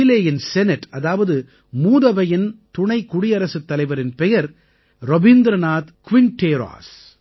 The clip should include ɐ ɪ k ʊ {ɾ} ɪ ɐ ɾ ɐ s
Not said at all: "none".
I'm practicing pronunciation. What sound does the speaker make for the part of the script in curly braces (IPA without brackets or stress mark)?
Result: ɽ